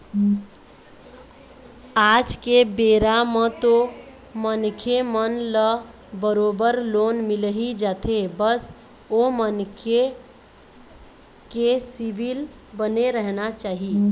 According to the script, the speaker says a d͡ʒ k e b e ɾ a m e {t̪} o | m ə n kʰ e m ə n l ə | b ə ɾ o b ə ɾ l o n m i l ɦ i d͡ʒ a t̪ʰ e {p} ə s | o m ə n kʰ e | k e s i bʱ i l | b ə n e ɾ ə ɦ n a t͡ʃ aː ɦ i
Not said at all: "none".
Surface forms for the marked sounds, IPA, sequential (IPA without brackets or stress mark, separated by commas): t̪, b